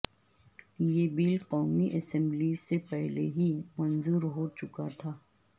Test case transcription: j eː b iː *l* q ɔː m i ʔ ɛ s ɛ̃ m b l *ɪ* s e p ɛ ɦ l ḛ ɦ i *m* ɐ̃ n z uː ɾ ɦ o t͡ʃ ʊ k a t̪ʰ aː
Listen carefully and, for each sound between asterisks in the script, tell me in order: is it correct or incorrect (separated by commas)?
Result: correct, incorrect, correct